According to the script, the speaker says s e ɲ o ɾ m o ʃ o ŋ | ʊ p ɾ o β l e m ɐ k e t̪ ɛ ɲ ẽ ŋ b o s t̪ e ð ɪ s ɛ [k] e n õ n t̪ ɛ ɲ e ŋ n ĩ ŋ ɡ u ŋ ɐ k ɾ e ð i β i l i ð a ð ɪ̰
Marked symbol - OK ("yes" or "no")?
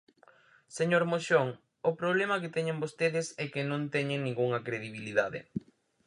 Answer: yes